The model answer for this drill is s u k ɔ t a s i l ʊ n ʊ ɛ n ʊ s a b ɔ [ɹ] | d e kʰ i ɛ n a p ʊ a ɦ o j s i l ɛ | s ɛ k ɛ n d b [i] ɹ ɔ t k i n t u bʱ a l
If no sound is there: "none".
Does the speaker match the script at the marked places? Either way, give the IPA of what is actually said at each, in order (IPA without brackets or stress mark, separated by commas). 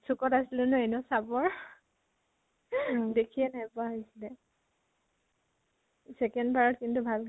ɹ, a